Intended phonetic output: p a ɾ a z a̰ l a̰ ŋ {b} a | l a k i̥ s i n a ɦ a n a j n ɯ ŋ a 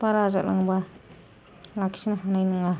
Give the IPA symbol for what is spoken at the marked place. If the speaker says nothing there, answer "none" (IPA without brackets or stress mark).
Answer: b